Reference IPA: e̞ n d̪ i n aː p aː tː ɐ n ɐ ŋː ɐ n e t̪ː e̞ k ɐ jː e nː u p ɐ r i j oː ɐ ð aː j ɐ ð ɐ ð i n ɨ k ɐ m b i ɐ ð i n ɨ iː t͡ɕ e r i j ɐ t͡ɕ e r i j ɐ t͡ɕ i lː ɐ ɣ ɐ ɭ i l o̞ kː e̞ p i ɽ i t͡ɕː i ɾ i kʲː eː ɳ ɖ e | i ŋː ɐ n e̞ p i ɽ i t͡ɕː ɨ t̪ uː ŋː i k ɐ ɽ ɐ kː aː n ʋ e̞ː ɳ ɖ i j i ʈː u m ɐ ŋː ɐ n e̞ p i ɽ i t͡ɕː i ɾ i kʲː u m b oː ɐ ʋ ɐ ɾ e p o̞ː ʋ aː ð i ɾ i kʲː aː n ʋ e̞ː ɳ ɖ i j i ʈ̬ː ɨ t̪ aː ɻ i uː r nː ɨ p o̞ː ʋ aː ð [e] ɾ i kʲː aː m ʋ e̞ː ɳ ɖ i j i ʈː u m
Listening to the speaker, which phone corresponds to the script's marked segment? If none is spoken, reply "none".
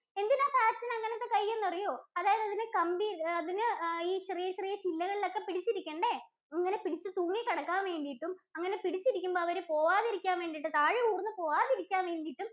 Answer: i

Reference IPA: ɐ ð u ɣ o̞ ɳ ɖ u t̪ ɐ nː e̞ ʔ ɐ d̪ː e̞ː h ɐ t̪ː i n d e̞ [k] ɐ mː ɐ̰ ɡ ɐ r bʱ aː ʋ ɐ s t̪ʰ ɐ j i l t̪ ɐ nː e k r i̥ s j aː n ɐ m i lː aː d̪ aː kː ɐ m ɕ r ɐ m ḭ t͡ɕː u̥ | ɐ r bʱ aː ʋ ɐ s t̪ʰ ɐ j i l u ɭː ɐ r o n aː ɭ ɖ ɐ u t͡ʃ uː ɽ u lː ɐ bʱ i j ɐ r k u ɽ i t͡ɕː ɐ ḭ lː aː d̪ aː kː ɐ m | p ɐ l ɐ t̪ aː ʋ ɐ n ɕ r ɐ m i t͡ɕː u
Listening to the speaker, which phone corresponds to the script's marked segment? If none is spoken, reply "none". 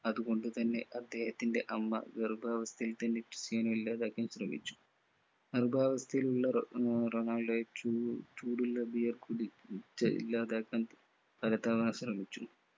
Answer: ʔ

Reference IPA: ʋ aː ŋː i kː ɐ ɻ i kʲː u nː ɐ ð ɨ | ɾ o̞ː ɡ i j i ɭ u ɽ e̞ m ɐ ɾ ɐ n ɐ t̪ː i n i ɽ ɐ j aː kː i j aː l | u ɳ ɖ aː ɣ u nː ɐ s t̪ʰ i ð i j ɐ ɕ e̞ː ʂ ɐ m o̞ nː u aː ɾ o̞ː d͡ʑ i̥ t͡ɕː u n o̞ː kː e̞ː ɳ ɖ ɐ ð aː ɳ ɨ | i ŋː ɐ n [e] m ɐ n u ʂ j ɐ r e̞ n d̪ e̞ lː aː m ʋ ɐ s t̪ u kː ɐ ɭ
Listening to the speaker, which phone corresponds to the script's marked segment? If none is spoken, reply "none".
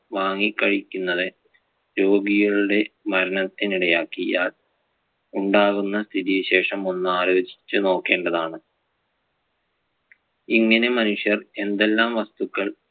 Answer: e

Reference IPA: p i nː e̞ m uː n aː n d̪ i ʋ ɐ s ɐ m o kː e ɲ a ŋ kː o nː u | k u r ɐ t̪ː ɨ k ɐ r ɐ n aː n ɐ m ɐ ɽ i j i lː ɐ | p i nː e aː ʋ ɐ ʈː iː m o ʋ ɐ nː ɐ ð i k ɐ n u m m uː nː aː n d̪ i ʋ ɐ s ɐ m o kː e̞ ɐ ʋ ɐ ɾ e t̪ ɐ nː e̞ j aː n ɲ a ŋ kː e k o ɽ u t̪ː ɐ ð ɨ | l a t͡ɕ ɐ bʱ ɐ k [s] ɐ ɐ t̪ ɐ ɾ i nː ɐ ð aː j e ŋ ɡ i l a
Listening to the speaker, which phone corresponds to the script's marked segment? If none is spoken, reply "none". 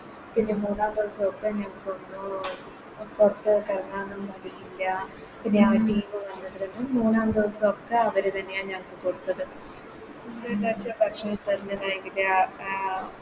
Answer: ʂ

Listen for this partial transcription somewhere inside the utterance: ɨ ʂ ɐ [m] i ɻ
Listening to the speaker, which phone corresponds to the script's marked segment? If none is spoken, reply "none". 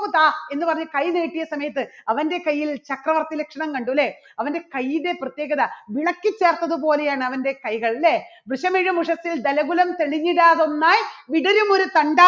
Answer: m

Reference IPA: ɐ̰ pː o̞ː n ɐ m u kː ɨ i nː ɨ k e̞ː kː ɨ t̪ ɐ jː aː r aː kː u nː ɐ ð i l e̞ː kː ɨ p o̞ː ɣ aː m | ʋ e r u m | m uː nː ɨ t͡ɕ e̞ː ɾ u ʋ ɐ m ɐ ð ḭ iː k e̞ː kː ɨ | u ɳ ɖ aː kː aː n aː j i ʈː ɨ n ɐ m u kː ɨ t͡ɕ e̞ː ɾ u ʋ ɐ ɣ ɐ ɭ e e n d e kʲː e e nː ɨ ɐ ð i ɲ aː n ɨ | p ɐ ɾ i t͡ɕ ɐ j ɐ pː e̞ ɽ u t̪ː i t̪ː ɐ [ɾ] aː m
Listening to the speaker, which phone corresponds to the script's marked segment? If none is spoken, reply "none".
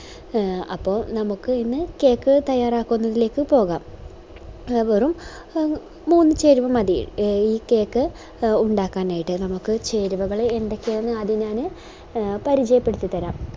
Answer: ɾ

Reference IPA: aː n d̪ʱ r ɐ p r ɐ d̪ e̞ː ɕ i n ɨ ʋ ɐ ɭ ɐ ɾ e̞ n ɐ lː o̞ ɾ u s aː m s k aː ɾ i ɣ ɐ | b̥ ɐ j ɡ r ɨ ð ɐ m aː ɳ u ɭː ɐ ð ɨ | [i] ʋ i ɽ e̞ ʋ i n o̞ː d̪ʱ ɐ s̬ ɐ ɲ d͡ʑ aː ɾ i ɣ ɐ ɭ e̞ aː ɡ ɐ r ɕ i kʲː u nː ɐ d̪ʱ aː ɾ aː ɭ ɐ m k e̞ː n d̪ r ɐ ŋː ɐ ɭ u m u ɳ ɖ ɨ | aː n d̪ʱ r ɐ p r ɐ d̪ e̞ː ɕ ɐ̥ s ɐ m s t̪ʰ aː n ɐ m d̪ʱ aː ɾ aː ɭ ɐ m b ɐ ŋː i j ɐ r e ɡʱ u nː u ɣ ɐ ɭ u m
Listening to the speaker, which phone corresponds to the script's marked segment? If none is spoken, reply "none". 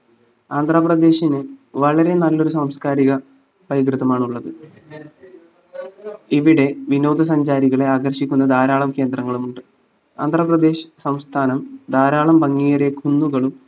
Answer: i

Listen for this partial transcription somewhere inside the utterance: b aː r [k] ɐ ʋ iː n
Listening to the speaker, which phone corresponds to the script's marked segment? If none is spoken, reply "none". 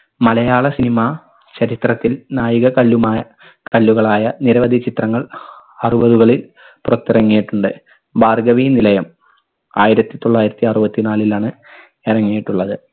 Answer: ɡ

